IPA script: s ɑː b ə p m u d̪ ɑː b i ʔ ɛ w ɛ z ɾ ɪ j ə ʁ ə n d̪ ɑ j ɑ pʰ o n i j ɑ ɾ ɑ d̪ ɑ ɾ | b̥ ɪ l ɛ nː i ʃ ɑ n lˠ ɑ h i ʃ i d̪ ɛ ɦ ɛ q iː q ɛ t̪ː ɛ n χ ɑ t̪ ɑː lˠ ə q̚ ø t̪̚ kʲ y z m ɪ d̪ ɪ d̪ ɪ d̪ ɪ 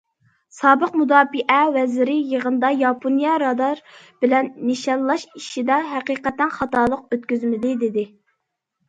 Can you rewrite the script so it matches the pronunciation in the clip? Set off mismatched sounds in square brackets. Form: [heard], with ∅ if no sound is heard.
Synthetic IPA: s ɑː b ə [q] m u d̪ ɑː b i ʔ ɛ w ɛ z ɾ ɪ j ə ʁ ə n d̪ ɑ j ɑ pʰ o n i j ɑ ɾ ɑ d̪ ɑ ɾ | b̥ ɪ l ɛ nː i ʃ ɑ n lˠ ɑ [ʃ] i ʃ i d̪ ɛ ɦ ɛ q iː q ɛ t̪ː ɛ n χ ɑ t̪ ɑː lˠ ə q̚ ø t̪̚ kʲ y z m ɪ d̪ ɪ d̪ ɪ d̪ ɪ